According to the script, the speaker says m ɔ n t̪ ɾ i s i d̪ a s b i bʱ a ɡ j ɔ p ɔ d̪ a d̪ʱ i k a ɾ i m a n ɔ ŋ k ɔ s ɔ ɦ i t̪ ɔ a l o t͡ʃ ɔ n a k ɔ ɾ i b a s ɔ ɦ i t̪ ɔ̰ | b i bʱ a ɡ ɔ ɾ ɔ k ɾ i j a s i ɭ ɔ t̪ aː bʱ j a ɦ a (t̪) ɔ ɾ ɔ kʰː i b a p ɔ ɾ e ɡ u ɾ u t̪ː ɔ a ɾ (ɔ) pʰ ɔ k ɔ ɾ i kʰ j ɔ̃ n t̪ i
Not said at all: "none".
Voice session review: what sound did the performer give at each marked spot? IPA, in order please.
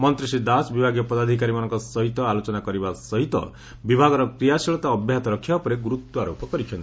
t̪, o

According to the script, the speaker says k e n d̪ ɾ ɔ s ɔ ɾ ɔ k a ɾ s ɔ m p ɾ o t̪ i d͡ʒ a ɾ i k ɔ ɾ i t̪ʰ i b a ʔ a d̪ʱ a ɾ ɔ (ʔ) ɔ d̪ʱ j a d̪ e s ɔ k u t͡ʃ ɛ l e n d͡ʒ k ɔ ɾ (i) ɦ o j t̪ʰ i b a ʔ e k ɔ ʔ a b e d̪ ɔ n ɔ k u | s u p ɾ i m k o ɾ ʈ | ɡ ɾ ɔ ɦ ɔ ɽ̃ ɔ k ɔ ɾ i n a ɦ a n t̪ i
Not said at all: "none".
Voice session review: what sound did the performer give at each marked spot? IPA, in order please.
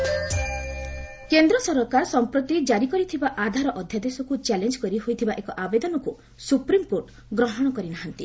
ʔ, i

